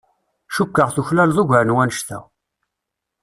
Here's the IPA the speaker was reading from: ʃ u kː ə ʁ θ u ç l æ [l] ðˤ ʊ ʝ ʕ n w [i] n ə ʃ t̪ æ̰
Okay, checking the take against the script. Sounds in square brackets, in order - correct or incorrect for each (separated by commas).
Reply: correct, incorrect